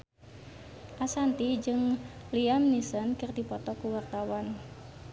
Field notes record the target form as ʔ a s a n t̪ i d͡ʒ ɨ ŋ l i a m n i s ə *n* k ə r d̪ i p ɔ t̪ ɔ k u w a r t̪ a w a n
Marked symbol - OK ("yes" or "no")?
yes